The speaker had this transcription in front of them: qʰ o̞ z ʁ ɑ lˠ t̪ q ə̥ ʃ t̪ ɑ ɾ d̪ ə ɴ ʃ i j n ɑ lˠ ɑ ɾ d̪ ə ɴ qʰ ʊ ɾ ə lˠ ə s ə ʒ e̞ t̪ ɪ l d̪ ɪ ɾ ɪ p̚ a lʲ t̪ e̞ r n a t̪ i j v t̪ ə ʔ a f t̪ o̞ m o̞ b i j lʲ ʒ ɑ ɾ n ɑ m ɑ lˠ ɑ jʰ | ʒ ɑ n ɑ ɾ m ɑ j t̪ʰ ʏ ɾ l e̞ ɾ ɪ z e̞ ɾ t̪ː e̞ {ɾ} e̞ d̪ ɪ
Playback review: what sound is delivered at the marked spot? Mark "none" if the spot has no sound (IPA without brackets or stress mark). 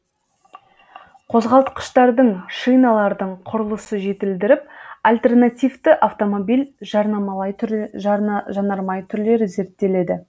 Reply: l